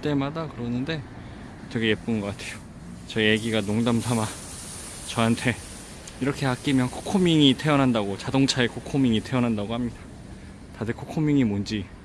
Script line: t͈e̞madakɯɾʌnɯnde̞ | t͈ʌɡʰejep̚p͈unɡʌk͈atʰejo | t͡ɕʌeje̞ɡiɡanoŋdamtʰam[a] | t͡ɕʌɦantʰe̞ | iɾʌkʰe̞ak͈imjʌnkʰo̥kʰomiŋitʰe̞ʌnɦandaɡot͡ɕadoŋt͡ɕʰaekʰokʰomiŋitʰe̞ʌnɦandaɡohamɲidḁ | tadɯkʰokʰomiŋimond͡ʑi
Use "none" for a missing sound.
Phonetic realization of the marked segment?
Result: a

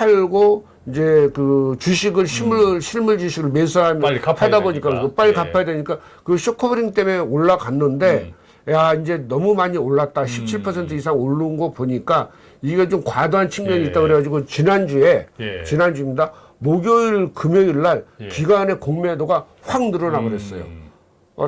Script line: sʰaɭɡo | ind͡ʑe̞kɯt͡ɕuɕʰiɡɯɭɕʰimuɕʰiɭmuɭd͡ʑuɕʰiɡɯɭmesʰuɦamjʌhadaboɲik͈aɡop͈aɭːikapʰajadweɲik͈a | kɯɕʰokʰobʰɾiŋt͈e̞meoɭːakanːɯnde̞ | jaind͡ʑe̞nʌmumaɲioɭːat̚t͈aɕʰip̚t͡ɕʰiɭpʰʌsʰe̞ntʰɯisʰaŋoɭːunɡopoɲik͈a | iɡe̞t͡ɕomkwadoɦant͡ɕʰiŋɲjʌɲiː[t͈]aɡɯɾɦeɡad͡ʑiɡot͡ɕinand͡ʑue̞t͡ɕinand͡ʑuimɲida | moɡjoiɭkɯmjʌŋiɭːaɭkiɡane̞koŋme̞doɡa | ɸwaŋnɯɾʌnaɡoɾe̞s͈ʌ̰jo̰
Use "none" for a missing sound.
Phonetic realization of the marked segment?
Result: t͈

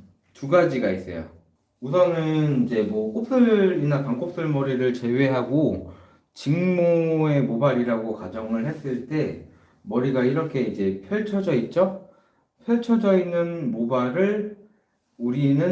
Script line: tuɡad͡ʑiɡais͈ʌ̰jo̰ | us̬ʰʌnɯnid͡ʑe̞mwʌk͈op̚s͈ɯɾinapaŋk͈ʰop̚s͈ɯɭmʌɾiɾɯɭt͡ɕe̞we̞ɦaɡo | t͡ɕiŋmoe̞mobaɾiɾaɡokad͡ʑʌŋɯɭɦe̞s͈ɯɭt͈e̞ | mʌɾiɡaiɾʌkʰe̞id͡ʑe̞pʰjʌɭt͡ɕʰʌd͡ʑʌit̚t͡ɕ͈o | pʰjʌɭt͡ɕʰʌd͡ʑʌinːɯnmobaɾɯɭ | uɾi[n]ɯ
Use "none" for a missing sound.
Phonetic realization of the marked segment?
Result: n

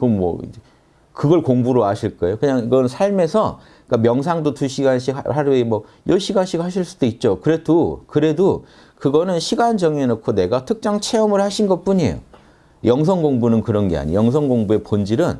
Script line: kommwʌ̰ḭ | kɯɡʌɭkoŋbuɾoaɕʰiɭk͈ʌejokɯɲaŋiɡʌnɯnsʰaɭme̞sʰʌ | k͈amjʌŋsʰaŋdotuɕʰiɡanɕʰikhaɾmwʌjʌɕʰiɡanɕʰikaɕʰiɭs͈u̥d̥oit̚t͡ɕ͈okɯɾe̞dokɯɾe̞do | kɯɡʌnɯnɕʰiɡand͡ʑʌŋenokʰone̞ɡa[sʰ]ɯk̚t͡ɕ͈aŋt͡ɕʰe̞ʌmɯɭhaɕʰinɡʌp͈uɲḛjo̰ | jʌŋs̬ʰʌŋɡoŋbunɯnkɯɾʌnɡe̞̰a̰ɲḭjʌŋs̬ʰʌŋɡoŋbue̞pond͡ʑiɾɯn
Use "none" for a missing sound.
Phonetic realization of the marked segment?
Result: tʰ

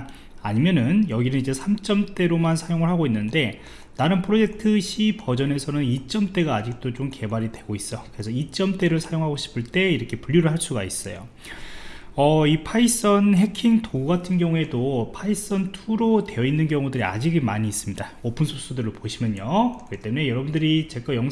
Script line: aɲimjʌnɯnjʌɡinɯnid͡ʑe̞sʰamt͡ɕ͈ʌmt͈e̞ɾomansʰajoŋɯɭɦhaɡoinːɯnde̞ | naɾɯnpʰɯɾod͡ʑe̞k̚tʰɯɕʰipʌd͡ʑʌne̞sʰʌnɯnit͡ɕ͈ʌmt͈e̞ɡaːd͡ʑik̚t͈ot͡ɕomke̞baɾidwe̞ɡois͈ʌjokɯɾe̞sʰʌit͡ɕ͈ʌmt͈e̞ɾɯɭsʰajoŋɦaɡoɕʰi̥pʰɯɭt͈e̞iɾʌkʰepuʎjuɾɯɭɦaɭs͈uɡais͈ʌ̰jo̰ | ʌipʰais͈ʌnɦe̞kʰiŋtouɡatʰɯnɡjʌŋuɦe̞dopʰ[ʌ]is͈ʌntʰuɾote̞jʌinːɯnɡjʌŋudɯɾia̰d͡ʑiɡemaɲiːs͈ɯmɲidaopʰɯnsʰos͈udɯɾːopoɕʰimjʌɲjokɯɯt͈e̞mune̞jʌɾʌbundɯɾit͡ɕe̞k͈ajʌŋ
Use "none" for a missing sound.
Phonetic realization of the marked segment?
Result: a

